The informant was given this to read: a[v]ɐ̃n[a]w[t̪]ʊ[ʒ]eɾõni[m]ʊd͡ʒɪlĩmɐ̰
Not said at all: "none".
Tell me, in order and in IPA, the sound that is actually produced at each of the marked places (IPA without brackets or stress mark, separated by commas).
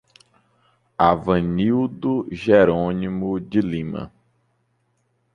v, i, d̪, ʒ, m